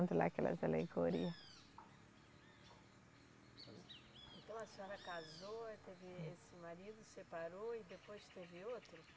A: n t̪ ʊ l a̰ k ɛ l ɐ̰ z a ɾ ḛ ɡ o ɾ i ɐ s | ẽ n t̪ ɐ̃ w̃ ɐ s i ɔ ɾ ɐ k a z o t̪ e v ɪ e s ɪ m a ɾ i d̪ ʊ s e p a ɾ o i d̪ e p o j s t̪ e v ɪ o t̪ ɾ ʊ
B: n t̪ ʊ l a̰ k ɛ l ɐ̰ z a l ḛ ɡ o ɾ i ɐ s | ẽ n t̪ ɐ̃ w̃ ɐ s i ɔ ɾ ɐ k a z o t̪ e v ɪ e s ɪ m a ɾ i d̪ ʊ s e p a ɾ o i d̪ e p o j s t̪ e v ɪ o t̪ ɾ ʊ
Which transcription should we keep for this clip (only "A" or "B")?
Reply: B